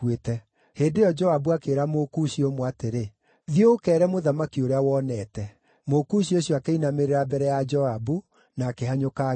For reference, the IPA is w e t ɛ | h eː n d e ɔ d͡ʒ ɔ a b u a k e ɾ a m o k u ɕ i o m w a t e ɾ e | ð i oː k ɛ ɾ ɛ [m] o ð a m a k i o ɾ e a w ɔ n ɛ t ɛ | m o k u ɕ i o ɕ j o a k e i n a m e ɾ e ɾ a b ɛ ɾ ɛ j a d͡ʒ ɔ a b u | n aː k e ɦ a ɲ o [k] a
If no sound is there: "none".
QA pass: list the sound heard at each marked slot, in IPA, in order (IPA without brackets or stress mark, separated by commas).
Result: m, k